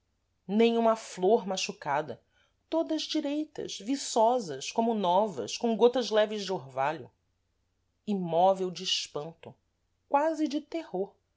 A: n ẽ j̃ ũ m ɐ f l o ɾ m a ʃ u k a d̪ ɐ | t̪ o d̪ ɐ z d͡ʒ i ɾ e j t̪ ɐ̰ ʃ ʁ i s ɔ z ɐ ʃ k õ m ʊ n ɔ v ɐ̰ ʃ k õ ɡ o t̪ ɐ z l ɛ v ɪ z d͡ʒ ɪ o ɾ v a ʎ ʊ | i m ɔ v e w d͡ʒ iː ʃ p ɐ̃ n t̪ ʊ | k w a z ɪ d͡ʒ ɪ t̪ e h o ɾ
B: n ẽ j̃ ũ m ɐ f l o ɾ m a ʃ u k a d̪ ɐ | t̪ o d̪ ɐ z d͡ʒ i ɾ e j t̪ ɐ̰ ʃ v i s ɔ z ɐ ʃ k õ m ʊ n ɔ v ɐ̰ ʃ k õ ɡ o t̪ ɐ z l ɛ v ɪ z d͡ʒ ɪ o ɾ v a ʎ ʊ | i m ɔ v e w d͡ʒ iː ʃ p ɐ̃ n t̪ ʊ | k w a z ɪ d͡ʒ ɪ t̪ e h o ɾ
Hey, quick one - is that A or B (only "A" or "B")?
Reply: B